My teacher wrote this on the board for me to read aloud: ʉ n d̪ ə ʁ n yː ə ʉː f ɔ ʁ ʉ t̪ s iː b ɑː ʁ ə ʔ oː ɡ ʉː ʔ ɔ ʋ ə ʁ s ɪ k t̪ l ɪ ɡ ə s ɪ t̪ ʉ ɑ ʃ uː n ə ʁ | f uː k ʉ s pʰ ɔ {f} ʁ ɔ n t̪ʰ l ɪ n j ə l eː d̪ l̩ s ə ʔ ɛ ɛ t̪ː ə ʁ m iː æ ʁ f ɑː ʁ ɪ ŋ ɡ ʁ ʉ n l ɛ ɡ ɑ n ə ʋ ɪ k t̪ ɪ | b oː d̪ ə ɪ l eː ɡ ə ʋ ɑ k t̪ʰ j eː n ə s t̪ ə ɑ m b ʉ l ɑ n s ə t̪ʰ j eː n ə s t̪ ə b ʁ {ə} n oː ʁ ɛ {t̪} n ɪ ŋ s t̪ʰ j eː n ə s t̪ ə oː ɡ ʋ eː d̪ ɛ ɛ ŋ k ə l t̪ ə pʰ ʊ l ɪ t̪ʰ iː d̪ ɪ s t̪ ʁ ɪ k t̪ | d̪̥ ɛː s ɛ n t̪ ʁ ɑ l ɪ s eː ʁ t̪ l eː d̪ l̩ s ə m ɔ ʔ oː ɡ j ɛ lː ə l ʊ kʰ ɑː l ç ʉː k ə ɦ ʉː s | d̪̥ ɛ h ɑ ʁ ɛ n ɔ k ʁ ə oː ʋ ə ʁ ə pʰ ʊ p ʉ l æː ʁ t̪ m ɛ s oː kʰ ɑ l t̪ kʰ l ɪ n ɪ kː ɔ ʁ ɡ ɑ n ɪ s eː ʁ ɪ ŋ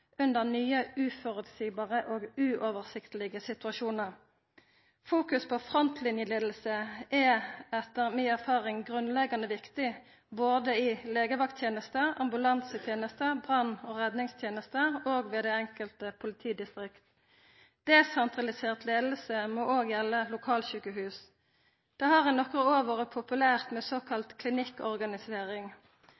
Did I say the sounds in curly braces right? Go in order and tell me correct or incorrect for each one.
correct, incorrect: ɑ, incorrect: d̪

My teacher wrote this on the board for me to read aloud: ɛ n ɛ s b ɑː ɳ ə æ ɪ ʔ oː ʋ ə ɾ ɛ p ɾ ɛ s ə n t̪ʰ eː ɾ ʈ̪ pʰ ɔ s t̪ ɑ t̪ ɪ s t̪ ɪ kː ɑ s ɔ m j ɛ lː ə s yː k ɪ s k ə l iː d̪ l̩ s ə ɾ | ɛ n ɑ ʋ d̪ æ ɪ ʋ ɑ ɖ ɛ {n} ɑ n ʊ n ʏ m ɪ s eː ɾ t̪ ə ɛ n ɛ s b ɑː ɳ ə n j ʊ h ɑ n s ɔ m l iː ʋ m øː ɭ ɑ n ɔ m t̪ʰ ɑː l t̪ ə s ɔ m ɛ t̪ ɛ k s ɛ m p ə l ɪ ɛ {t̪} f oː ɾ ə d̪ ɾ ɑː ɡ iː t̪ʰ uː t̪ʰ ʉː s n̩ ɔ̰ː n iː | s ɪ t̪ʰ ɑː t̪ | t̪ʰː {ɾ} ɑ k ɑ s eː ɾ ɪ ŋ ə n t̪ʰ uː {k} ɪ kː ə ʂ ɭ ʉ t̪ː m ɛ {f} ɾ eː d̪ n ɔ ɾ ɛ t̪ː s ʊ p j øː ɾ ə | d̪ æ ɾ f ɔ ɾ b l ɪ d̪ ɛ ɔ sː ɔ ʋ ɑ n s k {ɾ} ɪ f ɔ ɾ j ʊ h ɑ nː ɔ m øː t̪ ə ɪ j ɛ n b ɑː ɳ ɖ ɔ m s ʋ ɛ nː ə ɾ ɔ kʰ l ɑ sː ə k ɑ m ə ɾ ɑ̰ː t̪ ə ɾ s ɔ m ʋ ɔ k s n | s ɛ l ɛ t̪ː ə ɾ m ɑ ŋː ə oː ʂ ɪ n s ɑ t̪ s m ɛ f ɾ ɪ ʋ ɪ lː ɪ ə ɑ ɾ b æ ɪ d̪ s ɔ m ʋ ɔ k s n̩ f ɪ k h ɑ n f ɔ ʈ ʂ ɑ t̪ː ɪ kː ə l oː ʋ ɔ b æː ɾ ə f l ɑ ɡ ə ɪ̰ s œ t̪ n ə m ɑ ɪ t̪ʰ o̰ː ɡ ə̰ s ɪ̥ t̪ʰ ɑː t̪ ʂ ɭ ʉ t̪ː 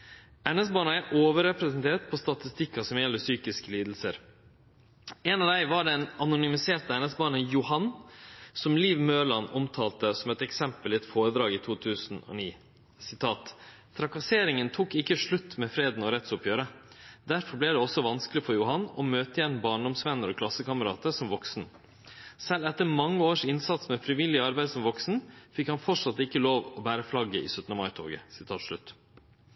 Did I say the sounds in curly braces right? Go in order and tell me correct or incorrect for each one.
correct, correct, correct, correct, correct, incorrect: l

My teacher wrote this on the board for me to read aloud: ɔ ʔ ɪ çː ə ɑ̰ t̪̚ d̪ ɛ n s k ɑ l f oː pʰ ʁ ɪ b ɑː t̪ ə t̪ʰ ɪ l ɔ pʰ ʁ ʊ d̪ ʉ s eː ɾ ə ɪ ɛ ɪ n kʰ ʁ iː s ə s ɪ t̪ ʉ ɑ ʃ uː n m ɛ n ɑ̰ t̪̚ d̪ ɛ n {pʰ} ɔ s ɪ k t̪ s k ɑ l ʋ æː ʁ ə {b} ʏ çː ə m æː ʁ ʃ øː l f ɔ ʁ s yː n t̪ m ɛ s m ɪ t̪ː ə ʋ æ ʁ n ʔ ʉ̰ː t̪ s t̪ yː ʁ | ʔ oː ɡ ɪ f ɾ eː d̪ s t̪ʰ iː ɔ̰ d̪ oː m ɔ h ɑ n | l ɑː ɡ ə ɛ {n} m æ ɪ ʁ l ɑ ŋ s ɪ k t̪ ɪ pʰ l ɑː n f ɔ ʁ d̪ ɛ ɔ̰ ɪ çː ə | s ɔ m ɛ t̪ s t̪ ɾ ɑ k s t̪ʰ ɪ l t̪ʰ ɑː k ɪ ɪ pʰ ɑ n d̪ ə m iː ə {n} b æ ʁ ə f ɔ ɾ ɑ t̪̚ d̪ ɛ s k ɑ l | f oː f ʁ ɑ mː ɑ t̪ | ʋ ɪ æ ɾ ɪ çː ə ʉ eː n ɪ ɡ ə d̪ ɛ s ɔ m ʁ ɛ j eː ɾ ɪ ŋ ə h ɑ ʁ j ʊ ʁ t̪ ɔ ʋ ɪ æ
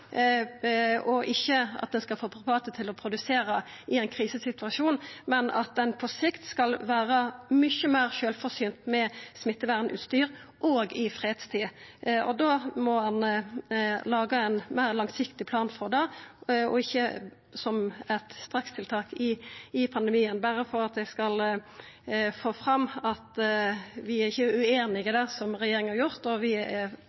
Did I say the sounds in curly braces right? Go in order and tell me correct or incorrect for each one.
correct, incorrect: m, correct, correct

